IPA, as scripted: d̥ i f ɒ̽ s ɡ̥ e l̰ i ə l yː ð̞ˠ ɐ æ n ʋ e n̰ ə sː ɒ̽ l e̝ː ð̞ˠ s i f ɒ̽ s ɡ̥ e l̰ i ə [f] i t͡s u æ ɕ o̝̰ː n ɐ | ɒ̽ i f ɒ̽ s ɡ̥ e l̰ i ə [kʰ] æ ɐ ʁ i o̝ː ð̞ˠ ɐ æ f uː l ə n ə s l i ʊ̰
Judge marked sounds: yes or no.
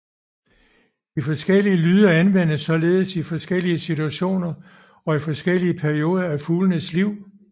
no, no

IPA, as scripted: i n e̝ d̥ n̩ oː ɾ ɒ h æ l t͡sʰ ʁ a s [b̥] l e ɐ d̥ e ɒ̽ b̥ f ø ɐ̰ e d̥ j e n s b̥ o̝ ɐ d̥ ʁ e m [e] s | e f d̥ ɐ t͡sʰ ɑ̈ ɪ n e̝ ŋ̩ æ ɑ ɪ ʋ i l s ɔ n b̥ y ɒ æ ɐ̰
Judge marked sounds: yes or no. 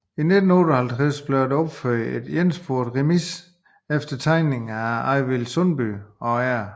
yes, no

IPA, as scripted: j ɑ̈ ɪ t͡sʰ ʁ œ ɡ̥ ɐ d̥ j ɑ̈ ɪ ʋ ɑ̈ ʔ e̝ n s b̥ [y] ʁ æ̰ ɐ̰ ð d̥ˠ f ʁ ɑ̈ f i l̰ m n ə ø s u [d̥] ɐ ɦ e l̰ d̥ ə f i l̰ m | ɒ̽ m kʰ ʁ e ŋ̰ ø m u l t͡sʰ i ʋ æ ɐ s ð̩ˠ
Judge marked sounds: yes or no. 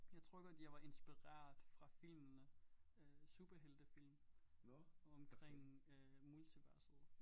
no, no

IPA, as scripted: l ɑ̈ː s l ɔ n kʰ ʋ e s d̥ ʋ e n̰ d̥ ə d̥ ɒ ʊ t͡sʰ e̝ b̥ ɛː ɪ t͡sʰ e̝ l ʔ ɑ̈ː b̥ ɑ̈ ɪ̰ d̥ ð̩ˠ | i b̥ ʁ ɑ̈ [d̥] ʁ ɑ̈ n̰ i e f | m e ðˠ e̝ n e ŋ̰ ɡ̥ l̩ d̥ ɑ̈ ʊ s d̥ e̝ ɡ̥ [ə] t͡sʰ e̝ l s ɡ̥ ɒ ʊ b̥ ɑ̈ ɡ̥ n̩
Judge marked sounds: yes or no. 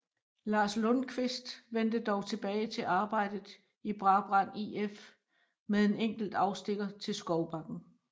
no, no

